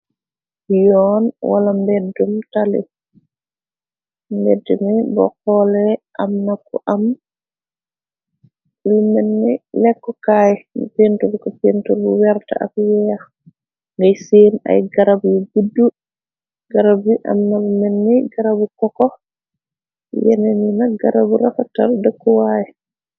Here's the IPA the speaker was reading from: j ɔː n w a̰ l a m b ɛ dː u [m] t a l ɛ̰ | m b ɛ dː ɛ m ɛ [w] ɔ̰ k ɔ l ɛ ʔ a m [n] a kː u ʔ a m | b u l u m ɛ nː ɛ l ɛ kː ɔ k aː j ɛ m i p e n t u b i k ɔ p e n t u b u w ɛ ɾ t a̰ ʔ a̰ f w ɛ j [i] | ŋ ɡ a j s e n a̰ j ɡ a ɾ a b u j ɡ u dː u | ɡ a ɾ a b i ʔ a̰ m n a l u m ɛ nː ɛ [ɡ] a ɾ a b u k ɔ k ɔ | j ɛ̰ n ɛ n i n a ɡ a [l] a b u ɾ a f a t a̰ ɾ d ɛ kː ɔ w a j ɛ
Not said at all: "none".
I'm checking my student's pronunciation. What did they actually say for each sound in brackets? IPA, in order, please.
m, b, n, a, ɡ, ɾ

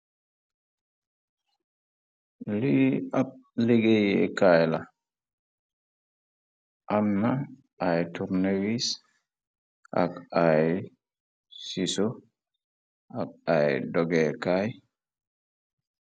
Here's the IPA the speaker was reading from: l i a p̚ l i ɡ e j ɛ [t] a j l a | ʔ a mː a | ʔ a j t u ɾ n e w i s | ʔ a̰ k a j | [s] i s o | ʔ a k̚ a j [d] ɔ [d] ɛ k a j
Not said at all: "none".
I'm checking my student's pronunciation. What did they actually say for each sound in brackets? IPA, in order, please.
k, s, d, ɡ

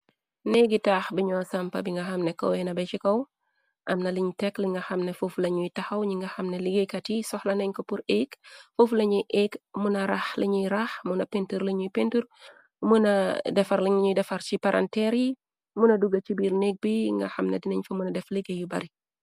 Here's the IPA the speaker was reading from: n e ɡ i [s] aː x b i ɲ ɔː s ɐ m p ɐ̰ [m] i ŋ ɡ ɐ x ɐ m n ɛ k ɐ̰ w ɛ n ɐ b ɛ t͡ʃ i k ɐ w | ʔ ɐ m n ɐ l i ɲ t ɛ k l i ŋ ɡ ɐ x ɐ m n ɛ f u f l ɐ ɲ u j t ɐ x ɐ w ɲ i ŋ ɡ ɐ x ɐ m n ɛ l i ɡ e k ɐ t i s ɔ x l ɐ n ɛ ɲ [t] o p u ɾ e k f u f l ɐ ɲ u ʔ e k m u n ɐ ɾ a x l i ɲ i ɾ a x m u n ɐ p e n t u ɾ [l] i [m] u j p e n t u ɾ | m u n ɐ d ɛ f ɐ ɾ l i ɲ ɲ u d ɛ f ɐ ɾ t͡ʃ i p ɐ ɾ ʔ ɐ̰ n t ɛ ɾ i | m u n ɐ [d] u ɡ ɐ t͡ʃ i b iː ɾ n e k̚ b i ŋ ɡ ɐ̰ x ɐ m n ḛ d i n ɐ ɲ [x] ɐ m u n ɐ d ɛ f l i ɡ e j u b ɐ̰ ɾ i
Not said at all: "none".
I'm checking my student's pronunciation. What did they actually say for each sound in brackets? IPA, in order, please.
t, b, k, l, ɲ, d, f

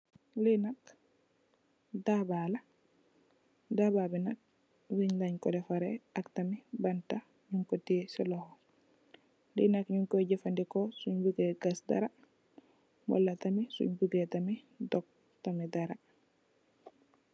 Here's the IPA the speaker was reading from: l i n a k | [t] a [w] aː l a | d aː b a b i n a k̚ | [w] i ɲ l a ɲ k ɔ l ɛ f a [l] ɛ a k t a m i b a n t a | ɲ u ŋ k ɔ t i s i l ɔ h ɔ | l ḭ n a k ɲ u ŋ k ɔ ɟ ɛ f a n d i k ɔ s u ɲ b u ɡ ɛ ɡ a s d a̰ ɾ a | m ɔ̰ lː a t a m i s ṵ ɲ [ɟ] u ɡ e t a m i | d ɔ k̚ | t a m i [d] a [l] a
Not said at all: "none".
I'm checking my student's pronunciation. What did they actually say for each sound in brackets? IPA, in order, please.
d, b, w, ɾ, b, d, ɾ

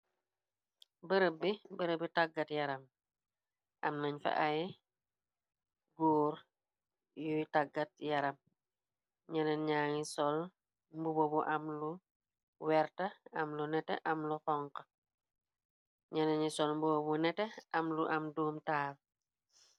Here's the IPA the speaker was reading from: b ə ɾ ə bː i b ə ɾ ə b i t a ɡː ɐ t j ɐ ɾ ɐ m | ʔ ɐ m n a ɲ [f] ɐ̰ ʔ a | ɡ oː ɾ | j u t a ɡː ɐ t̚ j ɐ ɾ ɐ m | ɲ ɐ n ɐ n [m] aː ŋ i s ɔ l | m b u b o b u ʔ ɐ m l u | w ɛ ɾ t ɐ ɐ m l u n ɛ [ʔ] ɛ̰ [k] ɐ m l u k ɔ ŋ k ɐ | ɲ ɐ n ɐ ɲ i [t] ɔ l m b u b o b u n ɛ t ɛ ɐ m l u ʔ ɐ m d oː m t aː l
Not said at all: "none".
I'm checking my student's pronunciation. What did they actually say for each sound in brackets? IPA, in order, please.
f, ɲ, t, ʔ, s

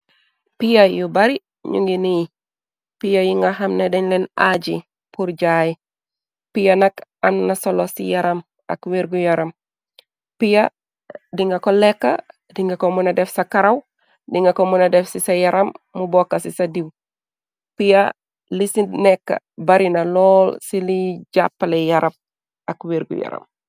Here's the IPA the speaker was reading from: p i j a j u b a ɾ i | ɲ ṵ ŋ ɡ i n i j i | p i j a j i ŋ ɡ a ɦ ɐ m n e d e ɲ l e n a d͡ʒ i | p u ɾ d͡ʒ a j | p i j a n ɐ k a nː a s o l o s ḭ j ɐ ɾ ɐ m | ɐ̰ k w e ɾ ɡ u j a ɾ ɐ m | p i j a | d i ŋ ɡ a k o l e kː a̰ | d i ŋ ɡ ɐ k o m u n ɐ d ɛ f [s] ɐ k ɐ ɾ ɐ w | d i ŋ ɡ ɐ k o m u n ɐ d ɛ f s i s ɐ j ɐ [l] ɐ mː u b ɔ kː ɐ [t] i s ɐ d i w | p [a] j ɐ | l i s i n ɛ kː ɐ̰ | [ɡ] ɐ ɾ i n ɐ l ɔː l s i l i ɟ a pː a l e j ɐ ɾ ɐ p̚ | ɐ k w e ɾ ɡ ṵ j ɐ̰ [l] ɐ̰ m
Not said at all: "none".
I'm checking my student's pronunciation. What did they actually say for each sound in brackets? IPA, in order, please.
s, ɾ, s, i, b, ɾ

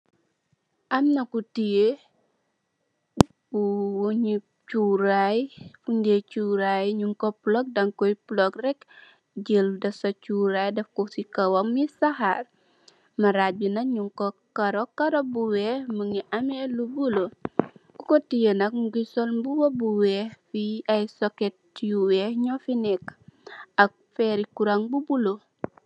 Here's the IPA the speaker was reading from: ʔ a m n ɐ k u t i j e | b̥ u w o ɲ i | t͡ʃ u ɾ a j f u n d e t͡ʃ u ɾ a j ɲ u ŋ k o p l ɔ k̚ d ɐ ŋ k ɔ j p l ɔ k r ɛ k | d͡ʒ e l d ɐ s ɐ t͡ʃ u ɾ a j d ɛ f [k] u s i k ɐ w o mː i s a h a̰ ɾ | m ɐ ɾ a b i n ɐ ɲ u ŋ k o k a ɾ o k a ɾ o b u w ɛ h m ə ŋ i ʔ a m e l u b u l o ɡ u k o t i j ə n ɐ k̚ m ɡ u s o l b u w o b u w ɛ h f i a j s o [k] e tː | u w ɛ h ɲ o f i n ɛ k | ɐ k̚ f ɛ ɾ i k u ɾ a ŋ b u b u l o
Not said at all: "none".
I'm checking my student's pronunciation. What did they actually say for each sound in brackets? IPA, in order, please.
k, k

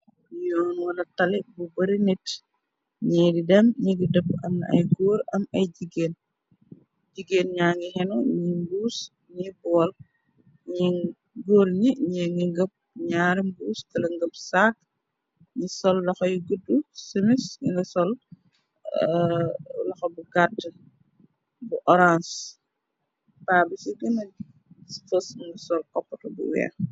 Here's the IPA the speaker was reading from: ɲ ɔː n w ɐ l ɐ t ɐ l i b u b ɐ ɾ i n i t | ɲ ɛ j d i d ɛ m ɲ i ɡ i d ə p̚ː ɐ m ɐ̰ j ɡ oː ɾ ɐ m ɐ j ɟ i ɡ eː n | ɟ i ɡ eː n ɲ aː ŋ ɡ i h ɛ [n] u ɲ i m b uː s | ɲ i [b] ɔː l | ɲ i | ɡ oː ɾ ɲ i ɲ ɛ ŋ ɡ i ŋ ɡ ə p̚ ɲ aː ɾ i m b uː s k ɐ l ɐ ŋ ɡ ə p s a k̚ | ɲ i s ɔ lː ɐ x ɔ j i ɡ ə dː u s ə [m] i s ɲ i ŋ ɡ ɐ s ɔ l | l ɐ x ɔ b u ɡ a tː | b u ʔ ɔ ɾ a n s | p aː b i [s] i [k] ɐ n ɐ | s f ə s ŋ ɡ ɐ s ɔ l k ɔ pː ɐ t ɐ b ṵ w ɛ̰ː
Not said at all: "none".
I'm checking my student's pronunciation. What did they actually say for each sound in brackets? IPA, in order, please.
n, b, m, s, ɡ

